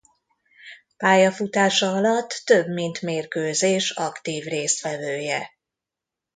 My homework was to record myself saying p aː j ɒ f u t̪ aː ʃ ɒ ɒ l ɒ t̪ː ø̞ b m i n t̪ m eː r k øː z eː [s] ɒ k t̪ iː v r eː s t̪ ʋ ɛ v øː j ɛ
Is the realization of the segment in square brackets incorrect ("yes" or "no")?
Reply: yes